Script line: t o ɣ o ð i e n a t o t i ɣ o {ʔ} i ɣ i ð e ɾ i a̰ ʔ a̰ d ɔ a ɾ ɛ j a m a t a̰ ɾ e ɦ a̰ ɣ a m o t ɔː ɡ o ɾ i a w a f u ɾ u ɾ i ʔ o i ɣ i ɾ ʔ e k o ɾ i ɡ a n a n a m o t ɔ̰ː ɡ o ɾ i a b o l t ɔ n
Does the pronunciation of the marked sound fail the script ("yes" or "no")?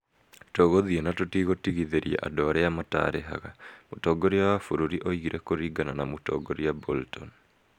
yes